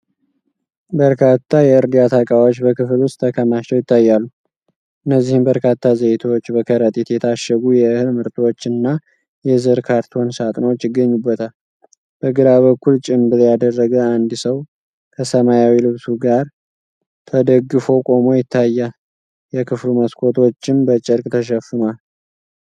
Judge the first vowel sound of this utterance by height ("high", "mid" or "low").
mid